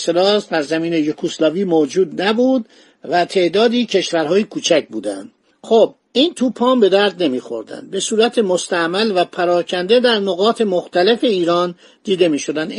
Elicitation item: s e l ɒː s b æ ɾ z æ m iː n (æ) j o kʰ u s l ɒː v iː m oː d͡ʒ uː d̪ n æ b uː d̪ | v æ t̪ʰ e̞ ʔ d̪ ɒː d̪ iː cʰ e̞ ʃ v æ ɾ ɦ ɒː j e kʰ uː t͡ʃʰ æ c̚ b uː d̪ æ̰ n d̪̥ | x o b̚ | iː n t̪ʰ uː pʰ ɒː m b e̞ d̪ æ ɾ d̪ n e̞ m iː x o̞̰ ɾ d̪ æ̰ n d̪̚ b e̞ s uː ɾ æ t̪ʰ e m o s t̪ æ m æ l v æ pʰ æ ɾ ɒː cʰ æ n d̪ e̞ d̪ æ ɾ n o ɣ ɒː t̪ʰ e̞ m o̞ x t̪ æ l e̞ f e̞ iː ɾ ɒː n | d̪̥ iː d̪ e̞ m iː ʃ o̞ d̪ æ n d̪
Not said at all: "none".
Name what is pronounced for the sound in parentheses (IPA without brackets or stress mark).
e